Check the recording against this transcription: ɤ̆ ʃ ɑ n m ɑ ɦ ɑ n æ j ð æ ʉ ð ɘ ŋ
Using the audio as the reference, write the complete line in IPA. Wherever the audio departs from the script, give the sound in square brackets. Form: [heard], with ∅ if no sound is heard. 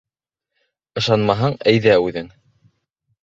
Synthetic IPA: ɤ̆ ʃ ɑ n m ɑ ɦ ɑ [ɴ] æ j ð æ ʉ ð ɘ ŋ